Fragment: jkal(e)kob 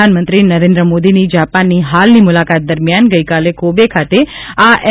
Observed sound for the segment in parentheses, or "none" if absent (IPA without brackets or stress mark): e